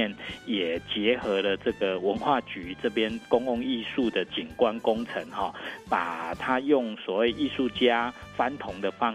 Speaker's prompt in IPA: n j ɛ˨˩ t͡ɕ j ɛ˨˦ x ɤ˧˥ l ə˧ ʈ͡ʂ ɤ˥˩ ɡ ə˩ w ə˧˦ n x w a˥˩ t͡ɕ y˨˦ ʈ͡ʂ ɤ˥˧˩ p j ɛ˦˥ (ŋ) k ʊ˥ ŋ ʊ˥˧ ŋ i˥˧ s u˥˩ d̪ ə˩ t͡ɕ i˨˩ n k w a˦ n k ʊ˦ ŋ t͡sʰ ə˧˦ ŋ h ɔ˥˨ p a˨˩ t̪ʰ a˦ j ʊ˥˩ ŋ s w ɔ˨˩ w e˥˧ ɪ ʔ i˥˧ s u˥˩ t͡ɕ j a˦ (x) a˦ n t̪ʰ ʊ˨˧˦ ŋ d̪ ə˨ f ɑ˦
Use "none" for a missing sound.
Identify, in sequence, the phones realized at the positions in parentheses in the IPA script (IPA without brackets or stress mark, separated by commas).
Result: n, f